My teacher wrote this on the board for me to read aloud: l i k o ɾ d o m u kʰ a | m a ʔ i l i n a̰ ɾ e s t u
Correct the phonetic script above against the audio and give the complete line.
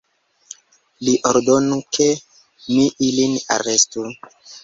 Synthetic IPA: l i ʔ o ɾ d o n u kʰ e | m i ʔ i l i n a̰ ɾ e s t u